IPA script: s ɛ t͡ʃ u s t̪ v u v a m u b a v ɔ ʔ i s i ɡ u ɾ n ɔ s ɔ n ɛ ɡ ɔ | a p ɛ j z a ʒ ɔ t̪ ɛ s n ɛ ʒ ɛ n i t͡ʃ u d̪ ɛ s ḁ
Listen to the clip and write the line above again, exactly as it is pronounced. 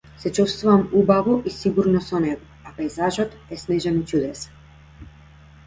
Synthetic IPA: s ɛ t͡ʃ u s t̪ v u v a m u b a v ɔ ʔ i s i ɡ u ɾ n ɔ s ɔ n ɛ ɡ ɔ | a p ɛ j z a ʒ ɔ t̪ ɛ s n ɛ ʒ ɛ n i t͡ʃ u d̪ ɛ s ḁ